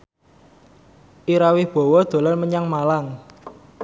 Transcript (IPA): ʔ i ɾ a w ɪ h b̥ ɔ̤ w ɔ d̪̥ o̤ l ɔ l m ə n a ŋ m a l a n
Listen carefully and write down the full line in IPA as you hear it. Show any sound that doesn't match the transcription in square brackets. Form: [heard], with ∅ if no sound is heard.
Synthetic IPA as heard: ʔ i ɾ a w ɪ h b̥ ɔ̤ w ɔ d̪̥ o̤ l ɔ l m ə [ɲ] a ŋ m a l a [ŋ]